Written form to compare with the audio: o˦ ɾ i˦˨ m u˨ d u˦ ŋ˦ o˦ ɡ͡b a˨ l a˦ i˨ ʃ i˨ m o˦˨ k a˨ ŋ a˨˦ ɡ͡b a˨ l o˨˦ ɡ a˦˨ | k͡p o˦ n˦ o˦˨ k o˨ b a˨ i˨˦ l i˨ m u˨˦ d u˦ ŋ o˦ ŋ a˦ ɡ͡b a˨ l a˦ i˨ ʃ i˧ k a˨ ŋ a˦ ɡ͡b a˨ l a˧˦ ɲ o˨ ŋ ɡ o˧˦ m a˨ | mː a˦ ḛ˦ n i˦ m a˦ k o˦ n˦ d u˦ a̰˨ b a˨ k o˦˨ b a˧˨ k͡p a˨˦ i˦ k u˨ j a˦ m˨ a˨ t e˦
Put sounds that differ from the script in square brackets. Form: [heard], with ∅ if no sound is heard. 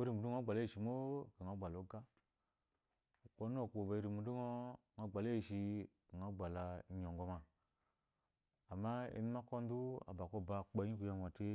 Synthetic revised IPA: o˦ ɾ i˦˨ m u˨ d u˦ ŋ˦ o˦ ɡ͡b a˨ l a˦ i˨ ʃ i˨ m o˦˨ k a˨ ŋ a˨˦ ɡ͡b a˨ l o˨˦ ɡ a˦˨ | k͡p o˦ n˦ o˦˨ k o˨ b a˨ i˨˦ [ɾ] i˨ m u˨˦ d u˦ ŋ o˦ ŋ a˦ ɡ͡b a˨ l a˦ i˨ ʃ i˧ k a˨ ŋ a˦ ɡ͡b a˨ l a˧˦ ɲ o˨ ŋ ɡ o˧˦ m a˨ | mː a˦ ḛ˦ n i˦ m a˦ k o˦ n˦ d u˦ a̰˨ b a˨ k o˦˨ b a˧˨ k͡p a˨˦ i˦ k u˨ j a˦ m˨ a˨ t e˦